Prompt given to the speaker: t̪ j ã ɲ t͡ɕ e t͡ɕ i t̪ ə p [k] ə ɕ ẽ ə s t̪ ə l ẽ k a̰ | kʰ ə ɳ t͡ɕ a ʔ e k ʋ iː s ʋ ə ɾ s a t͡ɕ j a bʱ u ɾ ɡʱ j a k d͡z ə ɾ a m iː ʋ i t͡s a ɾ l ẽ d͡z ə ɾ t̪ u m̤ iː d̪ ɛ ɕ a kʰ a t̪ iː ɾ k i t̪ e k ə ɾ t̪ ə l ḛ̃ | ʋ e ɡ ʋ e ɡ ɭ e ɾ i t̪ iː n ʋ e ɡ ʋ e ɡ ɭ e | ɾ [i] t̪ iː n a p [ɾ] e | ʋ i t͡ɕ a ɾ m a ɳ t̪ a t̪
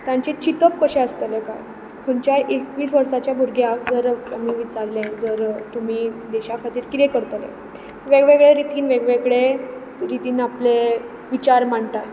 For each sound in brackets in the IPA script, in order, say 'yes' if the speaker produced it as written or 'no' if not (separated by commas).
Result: yes, yes, no